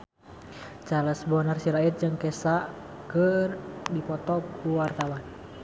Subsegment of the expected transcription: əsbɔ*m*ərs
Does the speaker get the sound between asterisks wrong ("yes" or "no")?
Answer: yes